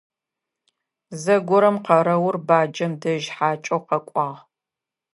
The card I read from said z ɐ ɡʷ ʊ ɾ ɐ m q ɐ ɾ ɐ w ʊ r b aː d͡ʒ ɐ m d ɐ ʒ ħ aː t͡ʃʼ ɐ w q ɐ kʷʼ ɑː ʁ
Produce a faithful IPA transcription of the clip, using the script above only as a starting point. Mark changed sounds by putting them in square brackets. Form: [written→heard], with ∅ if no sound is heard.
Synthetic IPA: z ɐ ɡʷ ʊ ɾ ɐ m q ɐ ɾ ɐ w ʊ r b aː d͡ʒ ɐ m d ɐ ʒ ħ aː t͡ʃʼ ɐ w q ɐ kʷʼ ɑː ʁ